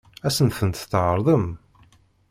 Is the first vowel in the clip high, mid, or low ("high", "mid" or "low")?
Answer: low